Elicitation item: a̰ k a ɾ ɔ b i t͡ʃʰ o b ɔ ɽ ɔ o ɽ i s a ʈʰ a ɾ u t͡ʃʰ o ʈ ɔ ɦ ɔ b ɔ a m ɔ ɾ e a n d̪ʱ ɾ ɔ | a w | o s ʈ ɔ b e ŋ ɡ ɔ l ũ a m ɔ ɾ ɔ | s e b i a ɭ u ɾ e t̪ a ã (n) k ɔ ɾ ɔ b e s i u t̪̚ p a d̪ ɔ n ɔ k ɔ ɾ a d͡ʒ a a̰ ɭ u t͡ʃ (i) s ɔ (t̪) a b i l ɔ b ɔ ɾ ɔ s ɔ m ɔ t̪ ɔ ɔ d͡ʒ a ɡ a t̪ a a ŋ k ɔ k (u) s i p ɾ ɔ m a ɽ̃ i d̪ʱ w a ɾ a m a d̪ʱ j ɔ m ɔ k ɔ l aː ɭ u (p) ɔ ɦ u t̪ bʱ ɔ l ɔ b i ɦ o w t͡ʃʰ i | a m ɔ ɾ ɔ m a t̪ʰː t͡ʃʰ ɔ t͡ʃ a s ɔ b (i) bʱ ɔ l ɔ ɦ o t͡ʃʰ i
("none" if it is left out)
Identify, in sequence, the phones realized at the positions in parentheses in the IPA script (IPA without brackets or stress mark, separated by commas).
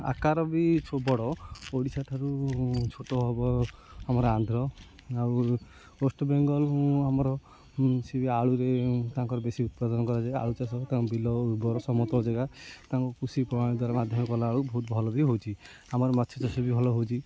ŋ, a, t̪, u, b, i